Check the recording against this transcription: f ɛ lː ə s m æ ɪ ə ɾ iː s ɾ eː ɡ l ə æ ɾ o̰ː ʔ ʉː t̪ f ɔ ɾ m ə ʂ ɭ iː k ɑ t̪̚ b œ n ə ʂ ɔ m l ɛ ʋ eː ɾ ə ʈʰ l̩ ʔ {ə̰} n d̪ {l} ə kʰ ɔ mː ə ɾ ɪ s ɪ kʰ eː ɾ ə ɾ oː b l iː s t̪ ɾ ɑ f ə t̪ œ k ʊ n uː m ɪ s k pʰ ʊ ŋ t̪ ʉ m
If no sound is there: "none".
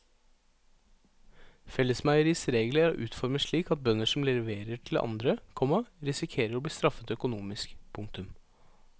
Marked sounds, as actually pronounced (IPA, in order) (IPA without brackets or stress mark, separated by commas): ɑ̰, ɾ